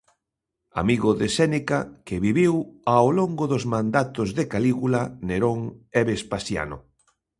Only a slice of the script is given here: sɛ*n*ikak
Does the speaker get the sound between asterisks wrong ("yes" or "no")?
no